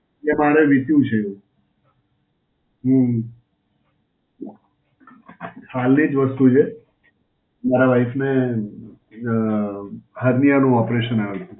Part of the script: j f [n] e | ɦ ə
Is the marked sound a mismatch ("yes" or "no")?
no